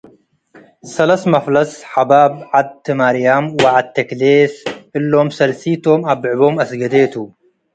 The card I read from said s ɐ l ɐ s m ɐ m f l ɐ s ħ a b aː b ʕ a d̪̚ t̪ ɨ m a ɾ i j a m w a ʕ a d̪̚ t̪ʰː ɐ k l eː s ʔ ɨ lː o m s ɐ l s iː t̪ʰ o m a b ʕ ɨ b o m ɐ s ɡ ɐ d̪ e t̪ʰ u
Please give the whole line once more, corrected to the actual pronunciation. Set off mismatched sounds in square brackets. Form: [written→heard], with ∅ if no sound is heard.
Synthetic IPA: s ɐ l ɐ s m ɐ [m→∅] f l ɐ s ħ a b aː b ʕ a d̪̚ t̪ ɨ m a ɾ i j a m w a ʕ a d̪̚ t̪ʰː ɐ k l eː s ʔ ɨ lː o m s ɐ l s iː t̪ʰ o m a b ʕ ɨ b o m ɐ s ɡ ɐ d̪ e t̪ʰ u

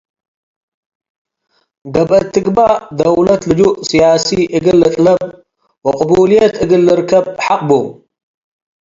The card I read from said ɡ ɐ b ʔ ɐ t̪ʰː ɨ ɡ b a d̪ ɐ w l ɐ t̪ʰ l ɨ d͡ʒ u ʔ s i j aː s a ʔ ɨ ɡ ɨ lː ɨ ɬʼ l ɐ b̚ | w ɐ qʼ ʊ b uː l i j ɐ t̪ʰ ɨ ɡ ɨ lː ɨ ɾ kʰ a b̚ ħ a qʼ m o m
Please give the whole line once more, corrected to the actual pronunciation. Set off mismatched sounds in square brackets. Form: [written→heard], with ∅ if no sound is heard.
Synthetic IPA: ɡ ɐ b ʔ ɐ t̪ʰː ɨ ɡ b a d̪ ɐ w l ɐ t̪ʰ l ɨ d͡ʒ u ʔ s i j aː s [a→i] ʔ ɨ ɡ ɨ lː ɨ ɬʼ l ɐ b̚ | w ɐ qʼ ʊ b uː l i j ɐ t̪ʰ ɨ ɡ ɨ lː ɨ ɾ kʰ [a→ɐ] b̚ ħ a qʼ [m→b] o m

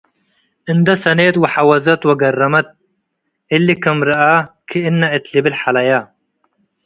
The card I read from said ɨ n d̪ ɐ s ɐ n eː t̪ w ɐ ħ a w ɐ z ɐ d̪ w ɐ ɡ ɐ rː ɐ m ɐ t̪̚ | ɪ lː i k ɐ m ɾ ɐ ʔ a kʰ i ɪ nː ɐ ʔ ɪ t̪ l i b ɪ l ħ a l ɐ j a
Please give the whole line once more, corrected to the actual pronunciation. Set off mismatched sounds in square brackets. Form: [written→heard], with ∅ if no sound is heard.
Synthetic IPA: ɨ n d̪ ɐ s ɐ n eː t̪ w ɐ ħ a w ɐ z ɐ [d̪→t̪] w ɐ ɡ ɐ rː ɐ m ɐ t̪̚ | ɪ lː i k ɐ m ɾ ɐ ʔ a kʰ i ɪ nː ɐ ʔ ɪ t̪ l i b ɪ l ħ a l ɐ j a

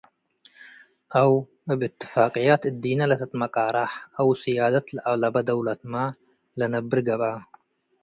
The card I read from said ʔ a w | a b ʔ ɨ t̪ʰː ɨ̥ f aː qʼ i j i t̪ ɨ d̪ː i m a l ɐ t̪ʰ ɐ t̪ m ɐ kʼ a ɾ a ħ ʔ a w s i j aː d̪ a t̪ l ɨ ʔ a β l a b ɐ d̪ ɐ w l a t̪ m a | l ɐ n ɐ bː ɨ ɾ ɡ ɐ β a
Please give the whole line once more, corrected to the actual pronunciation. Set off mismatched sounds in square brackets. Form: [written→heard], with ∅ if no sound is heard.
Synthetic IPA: ʔ a w | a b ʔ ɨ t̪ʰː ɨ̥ f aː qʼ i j [i→a] t̪ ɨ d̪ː i [m→n] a l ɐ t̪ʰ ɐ t̪ m ɐ kʼ a ɾ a ħ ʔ a w s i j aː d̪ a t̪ l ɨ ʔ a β l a b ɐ d̪ ɐ w l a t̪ m a | l ɐ n ɐ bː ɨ ɾ ɡ ɐ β a

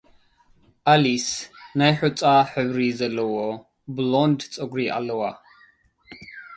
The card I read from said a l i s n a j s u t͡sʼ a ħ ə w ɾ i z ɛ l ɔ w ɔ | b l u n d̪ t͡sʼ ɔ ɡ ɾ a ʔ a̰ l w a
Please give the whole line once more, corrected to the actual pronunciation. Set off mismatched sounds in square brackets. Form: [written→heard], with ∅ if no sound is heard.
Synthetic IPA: a l i s n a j [s→ħ] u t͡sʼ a ħ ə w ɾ i z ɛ l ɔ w ɔ | b l [u→ɔ] n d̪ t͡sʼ ɔ ɡ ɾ [a→i] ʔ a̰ l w a

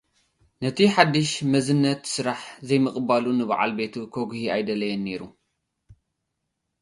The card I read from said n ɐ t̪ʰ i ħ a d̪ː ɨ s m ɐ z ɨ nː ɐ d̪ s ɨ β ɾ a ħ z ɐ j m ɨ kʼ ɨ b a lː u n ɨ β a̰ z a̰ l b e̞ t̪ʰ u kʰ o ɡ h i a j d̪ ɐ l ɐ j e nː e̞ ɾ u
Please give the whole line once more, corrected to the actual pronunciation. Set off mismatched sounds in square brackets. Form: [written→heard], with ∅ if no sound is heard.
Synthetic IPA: n ɐ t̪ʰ i ħ a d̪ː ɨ [s→ʃ] m ɐ z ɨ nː ɐ [d̪→t̪] s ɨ [β→∅] ɾ a ħ z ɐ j m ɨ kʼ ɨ b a [lː→l] u n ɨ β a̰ [z→ʕ] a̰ l b e̞ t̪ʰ u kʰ o ɡ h i a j d̪ ɐ l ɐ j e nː e̞ ɾ u

